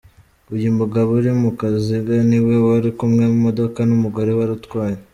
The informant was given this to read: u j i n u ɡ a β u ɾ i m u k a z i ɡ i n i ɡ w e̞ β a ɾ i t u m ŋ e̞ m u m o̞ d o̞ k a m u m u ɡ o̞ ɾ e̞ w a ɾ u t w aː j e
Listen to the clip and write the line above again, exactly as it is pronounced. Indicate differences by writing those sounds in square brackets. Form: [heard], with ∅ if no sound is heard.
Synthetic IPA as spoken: u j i [m] u ɡ a β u ɾ i m u k a z i ɡ [a] n i [∅] w e̞ [w] a ɾ i [k] u m ŋ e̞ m u m o̞ d o̞ k a [n] u m u ɡ o̞ ɾ e̞ w a ɾ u t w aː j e